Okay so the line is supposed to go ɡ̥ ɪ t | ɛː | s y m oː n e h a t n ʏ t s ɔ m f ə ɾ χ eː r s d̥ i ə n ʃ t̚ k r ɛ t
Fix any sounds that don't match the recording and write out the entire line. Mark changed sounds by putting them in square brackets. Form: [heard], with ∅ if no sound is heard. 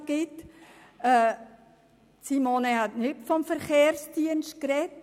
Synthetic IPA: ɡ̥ ɪ t | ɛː | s [i] m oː n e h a t n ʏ t [f] ɔ m f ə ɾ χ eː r s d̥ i ə n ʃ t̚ k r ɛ t